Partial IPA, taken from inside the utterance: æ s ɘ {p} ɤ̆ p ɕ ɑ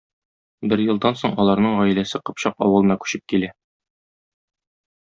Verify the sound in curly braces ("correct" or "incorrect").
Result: incorrect